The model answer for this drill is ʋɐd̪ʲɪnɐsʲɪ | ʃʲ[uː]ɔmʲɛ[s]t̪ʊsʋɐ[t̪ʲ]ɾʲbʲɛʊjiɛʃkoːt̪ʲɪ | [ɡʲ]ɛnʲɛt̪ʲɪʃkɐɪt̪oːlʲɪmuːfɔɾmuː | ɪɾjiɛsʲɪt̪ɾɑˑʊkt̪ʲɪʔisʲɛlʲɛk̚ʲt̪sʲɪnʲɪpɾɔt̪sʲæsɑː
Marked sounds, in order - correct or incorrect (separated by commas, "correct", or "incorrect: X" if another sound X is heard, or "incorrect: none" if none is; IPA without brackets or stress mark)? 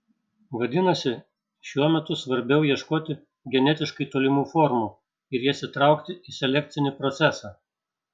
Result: incorrect: u, incorrect: none, incorrect: none, correct